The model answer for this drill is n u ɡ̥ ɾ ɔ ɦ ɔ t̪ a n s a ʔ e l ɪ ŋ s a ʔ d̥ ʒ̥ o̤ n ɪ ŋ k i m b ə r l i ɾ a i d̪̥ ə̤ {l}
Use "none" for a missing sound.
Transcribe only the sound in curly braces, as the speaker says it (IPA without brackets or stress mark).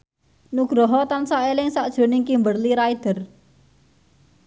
r